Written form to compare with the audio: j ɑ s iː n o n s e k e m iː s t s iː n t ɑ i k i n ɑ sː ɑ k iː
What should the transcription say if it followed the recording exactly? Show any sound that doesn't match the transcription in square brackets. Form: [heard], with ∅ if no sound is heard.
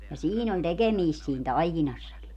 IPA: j ɑ s iː n o n [t] e k e m iː s t s iː n t ɑ i k i n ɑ sː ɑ k [i]